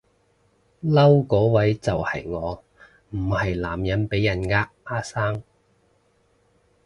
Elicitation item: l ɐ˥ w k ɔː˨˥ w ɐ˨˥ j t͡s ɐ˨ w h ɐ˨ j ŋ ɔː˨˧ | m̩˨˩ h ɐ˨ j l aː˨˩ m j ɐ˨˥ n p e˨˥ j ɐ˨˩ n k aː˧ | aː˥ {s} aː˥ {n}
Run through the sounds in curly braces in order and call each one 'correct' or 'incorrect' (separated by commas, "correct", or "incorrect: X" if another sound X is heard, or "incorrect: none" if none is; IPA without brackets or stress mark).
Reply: correct, incorrect: ŋ